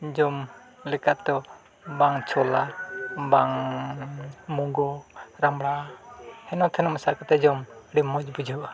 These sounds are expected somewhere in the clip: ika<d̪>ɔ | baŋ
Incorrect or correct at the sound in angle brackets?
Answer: incorrect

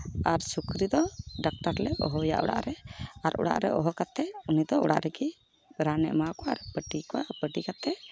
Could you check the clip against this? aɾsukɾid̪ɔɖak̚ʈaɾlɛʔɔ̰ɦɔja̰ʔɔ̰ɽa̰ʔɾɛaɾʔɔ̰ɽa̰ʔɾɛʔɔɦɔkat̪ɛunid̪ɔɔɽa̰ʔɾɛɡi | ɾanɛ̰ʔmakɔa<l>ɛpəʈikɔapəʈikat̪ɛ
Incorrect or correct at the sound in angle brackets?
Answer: incorrect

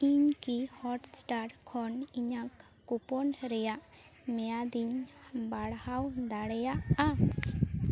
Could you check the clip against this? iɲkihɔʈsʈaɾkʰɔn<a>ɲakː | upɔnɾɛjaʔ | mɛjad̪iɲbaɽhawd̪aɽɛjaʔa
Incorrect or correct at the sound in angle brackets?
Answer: incorrect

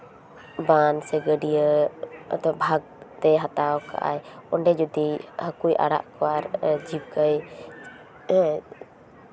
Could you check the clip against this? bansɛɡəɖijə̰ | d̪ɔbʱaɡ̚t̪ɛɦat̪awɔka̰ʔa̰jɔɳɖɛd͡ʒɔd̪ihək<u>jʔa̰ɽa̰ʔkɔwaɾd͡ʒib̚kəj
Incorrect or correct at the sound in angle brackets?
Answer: correct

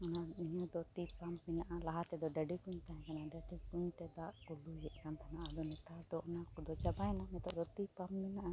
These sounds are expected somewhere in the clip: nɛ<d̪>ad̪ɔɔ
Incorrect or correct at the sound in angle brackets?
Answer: incorrect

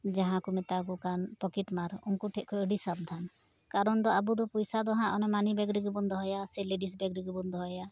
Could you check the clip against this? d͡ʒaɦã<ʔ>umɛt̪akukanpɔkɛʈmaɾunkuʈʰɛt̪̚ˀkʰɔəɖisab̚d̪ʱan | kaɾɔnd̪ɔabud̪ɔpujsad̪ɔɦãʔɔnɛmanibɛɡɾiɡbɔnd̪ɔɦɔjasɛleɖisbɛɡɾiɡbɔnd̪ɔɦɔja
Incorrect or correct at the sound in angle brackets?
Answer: incorrect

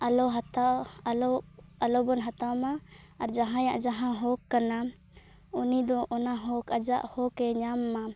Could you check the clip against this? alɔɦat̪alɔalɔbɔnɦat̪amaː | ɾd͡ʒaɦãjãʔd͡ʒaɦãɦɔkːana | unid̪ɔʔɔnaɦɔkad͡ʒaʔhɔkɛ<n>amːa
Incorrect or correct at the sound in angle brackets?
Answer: incorrect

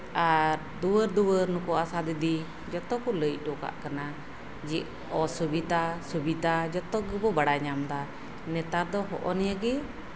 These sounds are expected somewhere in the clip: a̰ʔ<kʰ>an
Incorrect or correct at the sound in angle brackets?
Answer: incorrect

